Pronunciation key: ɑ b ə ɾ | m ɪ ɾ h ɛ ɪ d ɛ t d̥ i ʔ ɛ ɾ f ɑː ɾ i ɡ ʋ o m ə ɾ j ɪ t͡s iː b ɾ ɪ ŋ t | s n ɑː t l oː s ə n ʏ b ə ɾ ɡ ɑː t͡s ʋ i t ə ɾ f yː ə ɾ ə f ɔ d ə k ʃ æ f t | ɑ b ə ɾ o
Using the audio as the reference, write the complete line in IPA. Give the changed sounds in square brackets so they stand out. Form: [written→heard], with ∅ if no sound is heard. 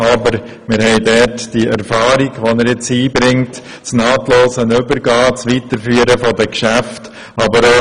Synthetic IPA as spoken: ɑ b ə ɾ | m ɪ ɾ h ɛ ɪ d ɛ t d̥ i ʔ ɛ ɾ f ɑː ɾ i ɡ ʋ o [m→n] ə ɾ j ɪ t͡s iː b ɾ ɪ ŋ t | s n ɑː t l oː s ə n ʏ b ə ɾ ɡ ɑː t͡s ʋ i t ə ɾ f yː ə ɾ ə f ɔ d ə k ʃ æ f t | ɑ b ə ɾ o